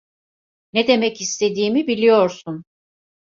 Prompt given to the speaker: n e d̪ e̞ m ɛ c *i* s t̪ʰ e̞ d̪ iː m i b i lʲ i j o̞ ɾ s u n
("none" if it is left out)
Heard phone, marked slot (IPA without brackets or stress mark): i